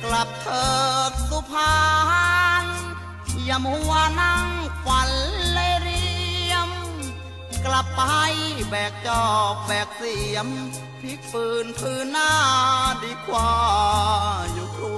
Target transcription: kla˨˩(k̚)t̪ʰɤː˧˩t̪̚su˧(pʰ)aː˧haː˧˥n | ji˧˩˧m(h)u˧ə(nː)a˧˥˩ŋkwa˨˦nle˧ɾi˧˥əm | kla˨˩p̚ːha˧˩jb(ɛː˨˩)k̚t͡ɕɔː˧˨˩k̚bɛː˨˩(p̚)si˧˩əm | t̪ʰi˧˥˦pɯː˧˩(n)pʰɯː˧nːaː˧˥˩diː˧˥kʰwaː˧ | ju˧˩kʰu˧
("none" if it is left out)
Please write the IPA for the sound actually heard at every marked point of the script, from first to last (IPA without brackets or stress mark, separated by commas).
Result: p̚, pʰ, h, n, ɛː˨˩, k̚, n